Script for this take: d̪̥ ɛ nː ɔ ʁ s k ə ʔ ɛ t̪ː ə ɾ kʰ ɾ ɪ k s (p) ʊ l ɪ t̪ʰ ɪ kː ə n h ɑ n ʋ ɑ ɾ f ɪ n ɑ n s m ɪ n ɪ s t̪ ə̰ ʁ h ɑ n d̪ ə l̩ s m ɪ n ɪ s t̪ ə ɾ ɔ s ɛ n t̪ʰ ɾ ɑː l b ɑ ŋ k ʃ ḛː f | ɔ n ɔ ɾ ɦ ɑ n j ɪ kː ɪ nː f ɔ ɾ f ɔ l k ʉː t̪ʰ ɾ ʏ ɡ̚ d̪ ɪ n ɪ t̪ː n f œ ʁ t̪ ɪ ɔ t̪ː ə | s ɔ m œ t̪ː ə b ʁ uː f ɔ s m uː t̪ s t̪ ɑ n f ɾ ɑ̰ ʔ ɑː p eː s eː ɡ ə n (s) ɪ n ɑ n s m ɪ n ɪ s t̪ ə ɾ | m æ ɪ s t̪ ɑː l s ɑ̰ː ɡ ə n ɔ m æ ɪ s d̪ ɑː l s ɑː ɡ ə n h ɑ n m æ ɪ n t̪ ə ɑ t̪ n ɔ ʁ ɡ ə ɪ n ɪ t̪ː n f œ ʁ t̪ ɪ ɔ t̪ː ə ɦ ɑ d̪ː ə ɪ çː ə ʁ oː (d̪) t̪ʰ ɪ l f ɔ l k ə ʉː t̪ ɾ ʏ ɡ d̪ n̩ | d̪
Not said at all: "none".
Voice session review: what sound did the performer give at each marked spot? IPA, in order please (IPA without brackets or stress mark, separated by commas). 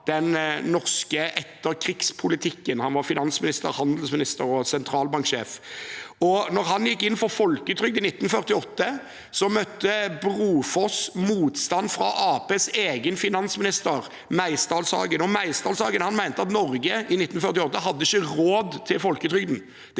pʰ, f, d̪